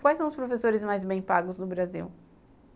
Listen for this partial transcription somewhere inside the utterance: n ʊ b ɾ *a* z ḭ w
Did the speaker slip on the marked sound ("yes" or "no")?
no